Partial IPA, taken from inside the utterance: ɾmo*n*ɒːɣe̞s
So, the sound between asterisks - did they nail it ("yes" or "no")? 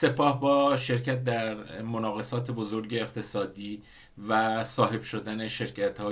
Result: yes